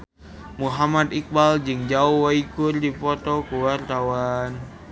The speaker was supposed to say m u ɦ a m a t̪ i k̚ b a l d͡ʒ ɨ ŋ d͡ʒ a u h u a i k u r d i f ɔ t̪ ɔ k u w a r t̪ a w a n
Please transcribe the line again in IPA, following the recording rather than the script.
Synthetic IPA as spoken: m u ɦ a m a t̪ i k̚ b a l d͡ʒ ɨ ŋ d͡ʒ a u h w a i k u r d i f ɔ t̪ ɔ k u w a r t̪ a w a n